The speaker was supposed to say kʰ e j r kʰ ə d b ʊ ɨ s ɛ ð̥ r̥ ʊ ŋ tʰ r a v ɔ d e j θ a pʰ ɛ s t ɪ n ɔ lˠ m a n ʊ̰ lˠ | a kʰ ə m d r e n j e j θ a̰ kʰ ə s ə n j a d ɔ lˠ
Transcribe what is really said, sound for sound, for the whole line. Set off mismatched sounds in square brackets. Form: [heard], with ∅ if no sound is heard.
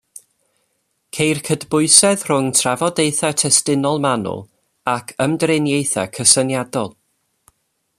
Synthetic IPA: kʰ e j r kʰ ə d b ʊ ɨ s ɛ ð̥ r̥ ʊ ŋ tʰ r a v ɔ d e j θ a [tʰ] ɛ s t ɪ n ɔ lˠ m a n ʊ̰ lˠ | a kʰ ə m d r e n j e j θ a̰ kʰ ə s ə n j a d ɔ lˠ